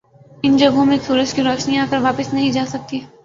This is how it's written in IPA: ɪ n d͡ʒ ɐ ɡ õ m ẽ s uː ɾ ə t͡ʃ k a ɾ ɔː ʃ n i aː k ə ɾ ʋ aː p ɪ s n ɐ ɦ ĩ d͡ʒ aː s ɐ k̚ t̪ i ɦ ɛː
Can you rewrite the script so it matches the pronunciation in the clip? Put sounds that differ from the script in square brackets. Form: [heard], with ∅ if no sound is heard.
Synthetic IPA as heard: ɪ n d͡ʒ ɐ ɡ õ m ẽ s uː ɾ ə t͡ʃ k [i] ɾ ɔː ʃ n i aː k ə ɾ ʋ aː p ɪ s n ɐ ɦ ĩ d͡ʒ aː s ɐ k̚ t̪ i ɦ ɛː

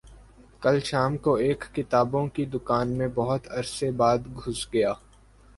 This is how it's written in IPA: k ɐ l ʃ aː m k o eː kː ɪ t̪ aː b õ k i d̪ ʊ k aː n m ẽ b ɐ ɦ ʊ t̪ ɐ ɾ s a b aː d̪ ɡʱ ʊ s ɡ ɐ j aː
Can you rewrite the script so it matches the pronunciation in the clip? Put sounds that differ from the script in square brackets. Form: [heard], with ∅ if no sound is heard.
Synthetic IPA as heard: k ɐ l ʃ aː m k o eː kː ɪ t̪ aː b õ k i d̪ ʊ k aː n m ẽ b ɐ ɦ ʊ t̪ ɐ ɾ s [e] b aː d̪ ɡʱ ʊ s ɡ ɐ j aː

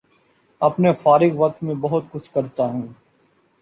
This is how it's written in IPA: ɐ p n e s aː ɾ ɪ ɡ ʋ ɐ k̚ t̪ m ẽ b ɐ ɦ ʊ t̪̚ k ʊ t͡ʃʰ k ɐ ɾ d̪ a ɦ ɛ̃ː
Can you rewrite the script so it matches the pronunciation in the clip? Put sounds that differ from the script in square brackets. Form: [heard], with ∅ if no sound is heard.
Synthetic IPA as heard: ɐ p n e [f] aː ɾ ɪ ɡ ʋ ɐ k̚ t̪ m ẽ b ɐ ɦ ʊ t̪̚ k ʊ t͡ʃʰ k ɐ ɾ [t̪] a ɦ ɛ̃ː

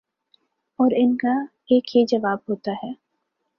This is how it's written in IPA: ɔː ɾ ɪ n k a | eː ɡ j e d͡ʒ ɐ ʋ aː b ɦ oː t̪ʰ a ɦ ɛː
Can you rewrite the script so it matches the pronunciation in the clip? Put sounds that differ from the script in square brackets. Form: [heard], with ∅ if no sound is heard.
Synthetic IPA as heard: ɔː ɾ ɪ n k a | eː [k] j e d͡ʒ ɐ ʋ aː b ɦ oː [t̪] a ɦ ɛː

